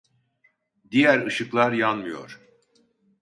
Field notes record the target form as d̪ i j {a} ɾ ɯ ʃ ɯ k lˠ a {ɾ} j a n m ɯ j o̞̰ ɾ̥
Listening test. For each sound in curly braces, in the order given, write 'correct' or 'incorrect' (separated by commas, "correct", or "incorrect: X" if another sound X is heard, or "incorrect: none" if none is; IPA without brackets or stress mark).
incorrect: æ, correct